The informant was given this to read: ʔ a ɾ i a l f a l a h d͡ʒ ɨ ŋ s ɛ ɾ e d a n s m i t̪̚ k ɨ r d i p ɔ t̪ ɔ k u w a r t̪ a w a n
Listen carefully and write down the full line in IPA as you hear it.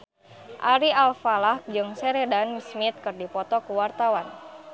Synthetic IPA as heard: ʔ a ɾ i a l f a l a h d͡ʒ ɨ ŋ s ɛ ɾ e d a n s m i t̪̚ k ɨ r d i p ɔ t̪ ɔ k u w a r t̪ a w a n